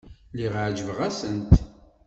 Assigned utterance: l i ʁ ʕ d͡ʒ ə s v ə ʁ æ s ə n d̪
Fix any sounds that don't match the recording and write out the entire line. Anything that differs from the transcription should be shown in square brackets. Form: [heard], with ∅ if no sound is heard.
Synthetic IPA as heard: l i ʁ ʕ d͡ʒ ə [∅] v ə ʁ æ s ə n [t̪]